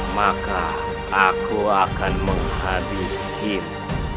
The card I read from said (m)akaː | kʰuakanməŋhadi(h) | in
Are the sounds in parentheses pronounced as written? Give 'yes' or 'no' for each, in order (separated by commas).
yes, no